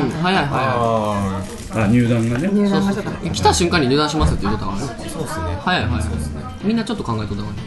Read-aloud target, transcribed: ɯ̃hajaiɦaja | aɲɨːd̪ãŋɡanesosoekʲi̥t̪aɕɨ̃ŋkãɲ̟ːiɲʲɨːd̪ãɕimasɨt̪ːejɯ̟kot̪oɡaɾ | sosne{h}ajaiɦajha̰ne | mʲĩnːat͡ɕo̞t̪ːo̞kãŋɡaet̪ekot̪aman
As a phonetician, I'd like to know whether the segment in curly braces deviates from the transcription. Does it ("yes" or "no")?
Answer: no